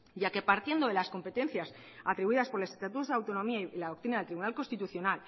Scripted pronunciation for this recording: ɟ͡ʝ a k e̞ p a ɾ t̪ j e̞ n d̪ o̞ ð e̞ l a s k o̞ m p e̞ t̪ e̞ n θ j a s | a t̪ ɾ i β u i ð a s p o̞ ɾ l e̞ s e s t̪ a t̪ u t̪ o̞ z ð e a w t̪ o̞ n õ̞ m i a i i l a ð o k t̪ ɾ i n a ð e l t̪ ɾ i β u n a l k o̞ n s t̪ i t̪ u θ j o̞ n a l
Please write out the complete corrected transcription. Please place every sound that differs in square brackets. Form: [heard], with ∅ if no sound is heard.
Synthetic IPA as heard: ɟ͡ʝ a k e̞ p a ɾ t̪ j e̞ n d̪ o̞ ð e̞ l a s k o̞ m p e̞ t̪ e̞ n θ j a s | a t̪ ɾ i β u i ð a s p o̞ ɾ l e̞ s e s t̪ a t̪ u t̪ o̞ z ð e a w t̪ o̞ n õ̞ m i a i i l a ð o k t̪ ɾ i n a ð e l t̪ ɾ i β u n a l k o̞ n s t̪ i t̪ u θ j o̞ n a l